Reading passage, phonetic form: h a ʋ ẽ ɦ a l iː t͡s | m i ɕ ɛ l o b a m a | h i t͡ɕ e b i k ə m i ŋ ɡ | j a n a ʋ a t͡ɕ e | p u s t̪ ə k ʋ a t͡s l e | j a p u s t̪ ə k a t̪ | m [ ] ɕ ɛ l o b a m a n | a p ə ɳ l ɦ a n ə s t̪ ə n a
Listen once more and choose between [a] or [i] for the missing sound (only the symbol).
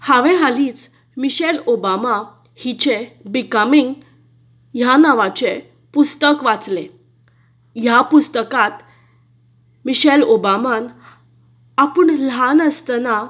i